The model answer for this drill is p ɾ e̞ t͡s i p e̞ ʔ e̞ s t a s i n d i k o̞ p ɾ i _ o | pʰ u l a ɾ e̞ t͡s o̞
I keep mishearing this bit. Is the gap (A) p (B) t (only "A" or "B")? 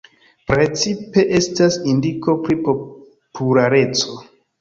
A